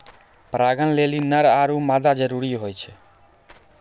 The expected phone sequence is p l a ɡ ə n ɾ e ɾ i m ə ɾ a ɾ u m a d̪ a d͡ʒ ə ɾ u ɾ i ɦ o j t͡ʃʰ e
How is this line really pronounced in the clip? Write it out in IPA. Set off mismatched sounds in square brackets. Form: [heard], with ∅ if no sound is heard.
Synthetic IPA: p [ɾ] a ɡ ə n [l] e [l] i [n] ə ɾ a ɾ u m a d̪ a d͡ʒ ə ɾ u ɾ i ɦ o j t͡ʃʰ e